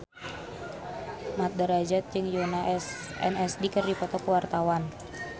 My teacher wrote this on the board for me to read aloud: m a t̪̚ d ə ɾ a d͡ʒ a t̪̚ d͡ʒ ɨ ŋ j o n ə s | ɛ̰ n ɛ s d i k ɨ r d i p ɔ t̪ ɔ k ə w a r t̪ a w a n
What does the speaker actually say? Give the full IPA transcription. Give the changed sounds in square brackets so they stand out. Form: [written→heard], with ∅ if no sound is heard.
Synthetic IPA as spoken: m a t̪̚ d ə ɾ a d͡ʒ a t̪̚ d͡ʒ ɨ ŋ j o n [ə→a] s | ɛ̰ n ɛ s d i k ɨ r d i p ɔ t̪ ɔ k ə w a r t̪ a w a n